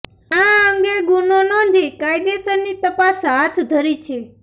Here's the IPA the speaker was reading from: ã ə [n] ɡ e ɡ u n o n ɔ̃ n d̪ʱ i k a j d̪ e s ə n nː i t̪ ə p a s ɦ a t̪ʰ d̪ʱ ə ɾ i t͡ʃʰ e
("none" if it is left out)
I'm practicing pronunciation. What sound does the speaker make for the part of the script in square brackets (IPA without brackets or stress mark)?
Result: ŋ